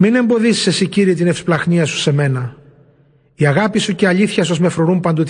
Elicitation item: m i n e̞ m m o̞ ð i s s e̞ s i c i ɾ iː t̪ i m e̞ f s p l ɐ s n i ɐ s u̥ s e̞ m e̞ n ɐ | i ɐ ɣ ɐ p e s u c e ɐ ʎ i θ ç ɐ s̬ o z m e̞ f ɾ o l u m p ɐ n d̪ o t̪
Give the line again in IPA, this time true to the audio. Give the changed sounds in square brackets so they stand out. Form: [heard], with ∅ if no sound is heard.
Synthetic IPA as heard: m i n e̞ m [b] o̞ ð i s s e̞ s i c i ɾ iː t̪ i [n] e̞ f s p l ɐ [x] n i ɐ s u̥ s e̞ m e̞ n ɐ | i ɐ ɣ ɐ p [i] s u c e ɐ ʎ i θ ç ɐ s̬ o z m e̞ f ɾ o [ɾ] u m p ɐ n d̪ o t̪